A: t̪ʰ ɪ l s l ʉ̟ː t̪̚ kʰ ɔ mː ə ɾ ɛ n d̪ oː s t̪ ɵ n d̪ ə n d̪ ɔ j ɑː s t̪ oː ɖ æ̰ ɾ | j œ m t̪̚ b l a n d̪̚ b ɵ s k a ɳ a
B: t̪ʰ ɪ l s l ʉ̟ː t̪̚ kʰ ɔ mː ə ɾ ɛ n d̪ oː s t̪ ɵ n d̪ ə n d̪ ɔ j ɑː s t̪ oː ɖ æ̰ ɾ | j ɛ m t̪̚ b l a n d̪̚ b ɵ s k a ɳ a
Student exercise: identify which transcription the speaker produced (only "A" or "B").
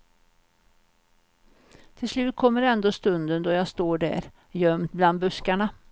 A